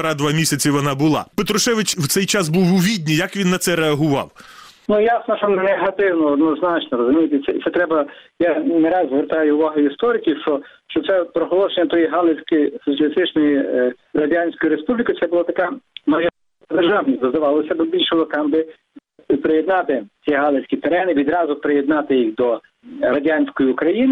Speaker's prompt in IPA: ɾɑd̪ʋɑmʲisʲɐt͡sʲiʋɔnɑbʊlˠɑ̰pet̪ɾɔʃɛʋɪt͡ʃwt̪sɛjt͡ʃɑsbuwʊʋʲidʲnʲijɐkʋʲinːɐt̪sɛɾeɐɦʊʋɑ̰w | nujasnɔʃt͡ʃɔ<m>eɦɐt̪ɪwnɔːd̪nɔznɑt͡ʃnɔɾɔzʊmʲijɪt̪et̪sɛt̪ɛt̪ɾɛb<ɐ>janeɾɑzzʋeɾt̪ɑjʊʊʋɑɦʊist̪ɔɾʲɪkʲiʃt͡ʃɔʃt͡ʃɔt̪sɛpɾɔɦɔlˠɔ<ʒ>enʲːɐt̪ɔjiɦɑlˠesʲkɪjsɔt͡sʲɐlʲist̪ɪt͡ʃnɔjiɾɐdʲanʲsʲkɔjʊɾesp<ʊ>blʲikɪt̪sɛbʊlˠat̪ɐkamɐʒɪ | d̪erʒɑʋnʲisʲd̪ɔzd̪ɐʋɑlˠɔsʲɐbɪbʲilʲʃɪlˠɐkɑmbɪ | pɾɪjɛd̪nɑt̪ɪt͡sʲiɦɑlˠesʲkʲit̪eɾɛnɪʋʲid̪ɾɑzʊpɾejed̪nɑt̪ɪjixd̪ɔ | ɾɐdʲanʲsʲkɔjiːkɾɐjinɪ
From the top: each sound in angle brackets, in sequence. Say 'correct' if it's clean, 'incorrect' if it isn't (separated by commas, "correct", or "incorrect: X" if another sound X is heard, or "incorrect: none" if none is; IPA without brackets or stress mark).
incorrect: n, correct, incorrect: ʃ, incorrect: u